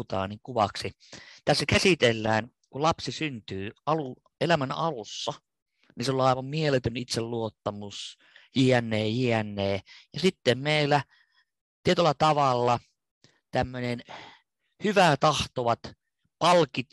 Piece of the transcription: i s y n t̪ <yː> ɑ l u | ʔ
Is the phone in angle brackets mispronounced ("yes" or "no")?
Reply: no